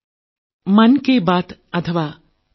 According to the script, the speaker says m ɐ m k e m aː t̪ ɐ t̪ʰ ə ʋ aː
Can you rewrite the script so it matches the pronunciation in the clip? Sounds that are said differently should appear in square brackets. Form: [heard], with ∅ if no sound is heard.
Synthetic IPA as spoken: m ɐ [n] k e [b] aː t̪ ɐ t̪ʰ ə ʋ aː